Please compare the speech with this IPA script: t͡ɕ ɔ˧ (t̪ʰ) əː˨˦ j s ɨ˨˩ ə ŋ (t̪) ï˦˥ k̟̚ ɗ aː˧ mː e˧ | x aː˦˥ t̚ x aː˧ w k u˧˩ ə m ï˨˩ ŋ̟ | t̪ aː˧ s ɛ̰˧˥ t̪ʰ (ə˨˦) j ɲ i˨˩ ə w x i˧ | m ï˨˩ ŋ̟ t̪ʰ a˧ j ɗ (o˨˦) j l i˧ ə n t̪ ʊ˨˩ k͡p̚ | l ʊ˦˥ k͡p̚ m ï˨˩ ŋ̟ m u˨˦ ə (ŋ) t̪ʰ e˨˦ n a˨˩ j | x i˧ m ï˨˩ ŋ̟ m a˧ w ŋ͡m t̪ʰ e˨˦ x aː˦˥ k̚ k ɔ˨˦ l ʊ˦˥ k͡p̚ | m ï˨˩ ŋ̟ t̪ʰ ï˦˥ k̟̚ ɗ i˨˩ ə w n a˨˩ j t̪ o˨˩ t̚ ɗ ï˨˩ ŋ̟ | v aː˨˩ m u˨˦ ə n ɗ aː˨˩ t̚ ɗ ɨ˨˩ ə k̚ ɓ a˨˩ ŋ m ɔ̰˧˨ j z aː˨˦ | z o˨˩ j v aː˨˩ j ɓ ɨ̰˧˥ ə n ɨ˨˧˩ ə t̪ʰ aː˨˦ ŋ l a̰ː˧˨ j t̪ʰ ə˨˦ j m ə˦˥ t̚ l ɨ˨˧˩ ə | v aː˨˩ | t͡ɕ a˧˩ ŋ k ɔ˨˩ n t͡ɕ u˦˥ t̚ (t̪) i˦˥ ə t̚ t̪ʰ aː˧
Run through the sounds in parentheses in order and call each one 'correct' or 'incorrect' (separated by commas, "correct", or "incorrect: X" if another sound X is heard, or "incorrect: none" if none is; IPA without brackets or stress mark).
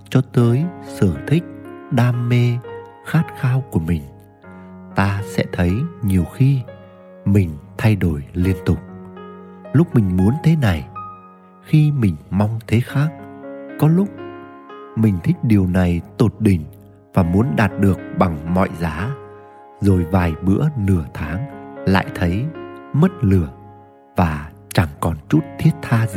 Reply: incorrect: t̪, incorrect: t̪ʰ, correct, incorrect: o˧˩, incorrect: n, incorrect: t̪ʰ